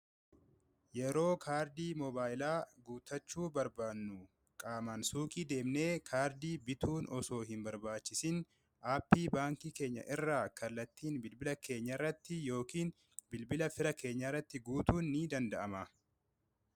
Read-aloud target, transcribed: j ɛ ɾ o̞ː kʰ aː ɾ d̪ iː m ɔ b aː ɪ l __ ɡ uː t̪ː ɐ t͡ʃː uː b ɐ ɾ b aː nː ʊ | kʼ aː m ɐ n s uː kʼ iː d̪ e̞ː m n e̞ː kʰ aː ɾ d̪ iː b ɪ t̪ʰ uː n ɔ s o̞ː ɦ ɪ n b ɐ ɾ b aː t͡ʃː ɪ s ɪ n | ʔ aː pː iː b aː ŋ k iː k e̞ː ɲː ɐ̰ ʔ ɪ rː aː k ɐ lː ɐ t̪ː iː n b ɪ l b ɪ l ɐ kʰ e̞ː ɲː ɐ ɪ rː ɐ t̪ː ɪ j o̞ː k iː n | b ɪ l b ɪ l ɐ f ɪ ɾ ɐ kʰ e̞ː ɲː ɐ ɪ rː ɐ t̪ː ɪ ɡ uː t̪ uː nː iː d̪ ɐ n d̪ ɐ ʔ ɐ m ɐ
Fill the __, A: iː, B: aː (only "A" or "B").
B